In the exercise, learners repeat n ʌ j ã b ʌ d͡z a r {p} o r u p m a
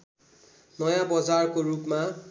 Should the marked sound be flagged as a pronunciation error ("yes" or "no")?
yes